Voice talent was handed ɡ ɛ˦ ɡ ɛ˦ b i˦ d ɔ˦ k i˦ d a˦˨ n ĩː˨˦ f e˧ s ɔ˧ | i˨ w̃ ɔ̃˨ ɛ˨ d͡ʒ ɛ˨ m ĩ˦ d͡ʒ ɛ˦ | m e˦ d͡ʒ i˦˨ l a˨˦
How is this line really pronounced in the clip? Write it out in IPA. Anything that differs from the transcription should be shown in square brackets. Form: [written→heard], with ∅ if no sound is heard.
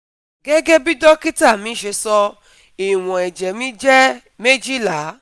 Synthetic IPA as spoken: ɡ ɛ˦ ɡ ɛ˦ b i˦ d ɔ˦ k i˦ [d→t] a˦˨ [n→m] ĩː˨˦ [f→ʃ] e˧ s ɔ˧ | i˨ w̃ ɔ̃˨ ɛ˨ d͡ʒ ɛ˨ m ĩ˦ d͡ʒ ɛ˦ | m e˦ d͡ʒ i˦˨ l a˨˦